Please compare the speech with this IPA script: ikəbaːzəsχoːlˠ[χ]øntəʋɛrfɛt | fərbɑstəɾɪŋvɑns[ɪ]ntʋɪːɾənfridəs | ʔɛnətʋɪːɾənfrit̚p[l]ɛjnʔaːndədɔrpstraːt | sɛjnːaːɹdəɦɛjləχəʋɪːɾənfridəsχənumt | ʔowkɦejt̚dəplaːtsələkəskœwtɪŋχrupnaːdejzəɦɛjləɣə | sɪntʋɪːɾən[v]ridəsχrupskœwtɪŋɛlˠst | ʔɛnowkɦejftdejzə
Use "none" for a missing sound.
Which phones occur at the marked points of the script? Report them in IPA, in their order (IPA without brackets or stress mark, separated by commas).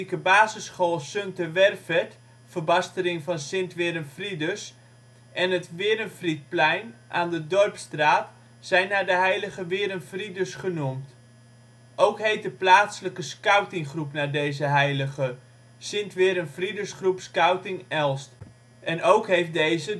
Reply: s, ɪ, l, f